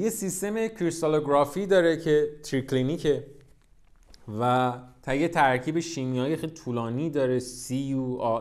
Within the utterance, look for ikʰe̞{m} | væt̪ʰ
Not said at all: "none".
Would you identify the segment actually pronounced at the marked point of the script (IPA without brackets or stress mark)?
none